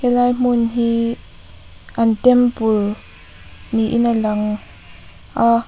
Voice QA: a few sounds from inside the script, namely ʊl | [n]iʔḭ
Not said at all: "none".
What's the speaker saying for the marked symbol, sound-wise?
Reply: n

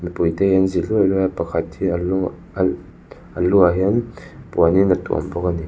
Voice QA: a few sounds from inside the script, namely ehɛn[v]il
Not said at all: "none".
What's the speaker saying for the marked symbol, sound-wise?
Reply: z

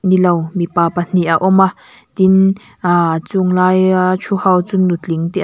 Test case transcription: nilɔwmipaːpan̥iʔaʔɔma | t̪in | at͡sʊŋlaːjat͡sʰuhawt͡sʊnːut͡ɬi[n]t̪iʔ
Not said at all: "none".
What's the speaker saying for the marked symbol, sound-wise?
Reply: ŋ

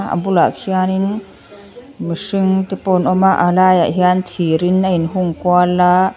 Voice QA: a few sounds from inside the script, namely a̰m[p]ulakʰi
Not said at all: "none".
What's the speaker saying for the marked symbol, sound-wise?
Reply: b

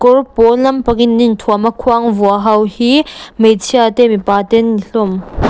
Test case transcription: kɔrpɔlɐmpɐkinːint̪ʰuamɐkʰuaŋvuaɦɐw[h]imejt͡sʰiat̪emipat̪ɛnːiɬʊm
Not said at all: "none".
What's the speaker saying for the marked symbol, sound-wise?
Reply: h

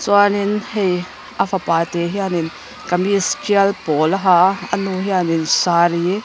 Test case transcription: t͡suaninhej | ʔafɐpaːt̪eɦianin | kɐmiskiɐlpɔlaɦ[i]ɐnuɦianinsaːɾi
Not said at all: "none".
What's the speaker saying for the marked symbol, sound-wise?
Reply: a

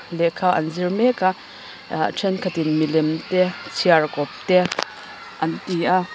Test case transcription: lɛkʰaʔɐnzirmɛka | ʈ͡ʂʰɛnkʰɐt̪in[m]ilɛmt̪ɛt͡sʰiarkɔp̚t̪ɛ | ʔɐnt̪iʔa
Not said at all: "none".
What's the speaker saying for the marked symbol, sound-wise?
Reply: m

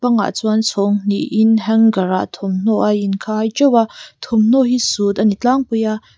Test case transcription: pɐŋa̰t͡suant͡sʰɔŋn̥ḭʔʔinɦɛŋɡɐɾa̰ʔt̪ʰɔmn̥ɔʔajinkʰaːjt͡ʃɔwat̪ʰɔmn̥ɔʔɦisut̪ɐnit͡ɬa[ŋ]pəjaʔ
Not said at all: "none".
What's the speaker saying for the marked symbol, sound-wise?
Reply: ŋ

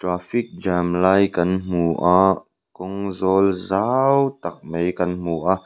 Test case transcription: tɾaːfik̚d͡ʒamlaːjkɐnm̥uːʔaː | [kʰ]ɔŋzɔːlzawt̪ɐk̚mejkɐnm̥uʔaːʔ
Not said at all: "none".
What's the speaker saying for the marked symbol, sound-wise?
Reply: k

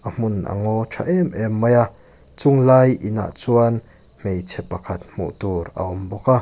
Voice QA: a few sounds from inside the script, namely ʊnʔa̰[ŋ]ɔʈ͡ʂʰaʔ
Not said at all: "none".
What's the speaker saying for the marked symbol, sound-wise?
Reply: ŋ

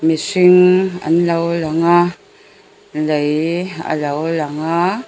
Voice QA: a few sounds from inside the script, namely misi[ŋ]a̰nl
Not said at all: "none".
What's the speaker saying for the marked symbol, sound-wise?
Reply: ŋ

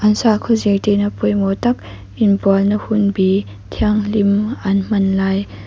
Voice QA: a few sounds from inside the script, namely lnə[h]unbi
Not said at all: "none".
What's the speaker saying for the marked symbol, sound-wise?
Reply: h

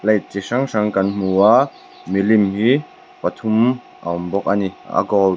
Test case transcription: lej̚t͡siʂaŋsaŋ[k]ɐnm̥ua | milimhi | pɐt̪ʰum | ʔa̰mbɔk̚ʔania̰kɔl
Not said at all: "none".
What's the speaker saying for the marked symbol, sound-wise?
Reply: k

